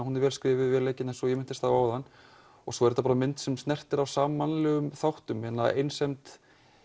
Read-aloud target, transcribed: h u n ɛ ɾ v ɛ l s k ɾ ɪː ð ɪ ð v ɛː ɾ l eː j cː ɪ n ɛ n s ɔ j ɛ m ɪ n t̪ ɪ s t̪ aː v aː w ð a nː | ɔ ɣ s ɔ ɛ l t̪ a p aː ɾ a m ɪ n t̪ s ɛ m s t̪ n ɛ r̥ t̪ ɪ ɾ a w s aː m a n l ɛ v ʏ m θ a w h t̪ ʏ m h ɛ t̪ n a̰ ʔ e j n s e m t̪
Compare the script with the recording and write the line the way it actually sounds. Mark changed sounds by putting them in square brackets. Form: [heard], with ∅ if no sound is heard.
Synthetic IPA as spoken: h u n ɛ ɾ v ɛ l s k ɾ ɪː [v] ɪ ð v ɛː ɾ l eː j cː ɪ n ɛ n s ɔ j ɛ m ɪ n t̪ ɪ s t̪ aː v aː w ð a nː | ɔ ɣ s ɔ ɛ [ɾ] t̪ a p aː ɾ a m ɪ n t̪ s ɛ m s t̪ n ɛ r̥ t̪ ɪ ɾ a w s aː m a n l ɛ [ɣ] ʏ m θ a w h t̪ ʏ m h ɛ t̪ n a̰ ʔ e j n s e m t̪